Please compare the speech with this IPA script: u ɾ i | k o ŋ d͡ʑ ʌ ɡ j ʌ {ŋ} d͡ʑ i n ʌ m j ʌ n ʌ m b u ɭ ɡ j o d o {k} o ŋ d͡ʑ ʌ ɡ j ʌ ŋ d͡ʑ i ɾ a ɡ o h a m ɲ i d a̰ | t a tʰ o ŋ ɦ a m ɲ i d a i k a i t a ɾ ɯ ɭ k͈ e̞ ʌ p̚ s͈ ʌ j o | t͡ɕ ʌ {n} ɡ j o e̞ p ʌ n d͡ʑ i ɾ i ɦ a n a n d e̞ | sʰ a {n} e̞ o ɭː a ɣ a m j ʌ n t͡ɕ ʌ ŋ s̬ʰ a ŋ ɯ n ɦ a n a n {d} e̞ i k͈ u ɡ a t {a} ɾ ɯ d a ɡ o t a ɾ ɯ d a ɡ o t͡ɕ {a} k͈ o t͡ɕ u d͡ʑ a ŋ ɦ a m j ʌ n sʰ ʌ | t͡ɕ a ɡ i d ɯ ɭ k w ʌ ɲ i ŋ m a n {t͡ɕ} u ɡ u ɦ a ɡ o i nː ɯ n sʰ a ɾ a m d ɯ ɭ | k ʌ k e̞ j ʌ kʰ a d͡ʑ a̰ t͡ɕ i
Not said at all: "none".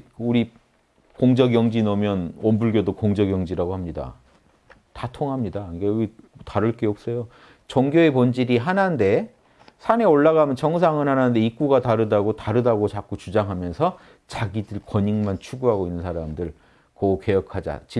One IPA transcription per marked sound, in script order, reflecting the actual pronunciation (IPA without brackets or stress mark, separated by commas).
ŋ, k, ŋ, n, d, a, a, t͡ɕʰ